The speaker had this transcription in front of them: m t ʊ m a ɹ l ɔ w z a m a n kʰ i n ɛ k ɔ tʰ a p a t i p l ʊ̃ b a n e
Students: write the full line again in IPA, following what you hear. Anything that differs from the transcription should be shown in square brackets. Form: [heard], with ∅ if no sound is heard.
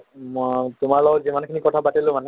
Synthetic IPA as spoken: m t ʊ m a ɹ l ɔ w z [i] m a n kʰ i n [i] k ɔ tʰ a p a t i [∅] l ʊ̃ [m] a n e